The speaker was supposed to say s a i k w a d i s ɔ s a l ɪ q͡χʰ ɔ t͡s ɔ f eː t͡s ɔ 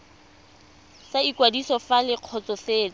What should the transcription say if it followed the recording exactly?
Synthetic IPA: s a i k w a d i s ɔ f a l ɪ q͡χʰ ɔ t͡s ɔ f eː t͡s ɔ